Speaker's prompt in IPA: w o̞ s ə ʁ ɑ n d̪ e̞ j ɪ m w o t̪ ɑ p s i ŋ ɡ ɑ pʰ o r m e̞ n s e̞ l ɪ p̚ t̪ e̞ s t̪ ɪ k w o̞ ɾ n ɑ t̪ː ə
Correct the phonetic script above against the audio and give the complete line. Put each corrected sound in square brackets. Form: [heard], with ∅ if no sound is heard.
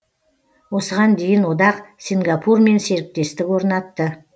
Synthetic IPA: w o̞ s ə ʁ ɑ n d̪ e̞ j ɪ [n] w o [d̪] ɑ [q] s i ŋ ɡ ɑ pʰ [u] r m e̞ n s e̞ [ɾ] ɪ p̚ t̪ e̞ s t̪ ɪ k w o̞ ɾ n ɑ t̪ː ə